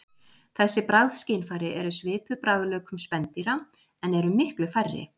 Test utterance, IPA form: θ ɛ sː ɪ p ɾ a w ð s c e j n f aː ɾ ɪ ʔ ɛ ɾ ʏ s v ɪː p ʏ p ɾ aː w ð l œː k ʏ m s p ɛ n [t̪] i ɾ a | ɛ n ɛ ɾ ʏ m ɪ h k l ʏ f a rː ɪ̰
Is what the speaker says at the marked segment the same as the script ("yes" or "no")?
yes